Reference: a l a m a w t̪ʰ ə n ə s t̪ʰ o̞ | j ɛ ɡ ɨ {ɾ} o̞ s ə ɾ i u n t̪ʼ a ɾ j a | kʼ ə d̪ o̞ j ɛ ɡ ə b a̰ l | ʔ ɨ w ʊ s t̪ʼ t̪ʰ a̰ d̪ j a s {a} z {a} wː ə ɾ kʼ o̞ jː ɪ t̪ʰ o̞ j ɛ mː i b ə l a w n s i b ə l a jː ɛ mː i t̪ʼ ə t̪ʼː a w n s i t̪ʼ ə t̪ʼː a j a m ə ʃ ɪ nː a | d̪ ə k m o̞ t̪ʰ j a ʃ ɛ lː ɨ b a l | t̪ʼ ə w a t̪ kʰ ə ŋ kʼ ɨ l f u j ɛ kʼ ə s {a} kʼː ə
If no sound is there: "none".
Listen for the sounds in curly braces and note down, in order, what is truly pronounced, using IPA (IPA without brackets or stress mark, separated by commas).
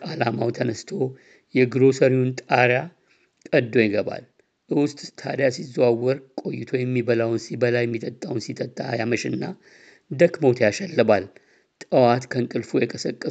ɾ, i, a, ə